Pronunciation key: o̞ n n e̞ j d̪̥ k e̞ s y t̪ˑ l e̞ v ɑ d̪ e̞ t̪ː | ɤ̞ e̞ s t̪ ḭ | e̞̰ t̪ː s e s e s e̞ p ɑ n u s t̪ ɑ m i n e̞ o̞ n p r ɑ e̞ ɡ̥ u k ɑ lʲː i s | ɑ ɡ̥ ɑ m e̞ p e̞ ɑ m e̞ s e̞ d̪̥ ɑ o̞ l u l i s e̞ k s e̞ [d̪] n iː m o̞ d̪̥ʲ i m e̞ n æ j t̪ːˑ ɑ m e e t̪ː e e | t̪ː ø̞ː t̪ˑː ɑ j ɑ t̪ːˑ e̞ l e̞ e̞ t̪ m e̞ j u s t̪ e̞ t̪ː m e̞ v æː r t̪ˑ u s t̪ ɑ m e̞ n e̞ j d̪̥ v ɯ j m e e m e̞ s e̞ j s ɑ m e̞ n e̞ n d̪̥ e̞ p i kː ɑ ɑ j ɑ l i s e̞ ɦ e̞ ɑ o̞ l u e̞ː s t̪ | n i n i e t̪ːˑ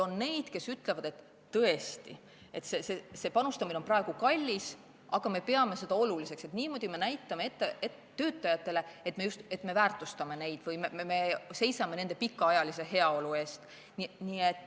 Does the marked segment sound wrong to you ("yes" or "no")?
yes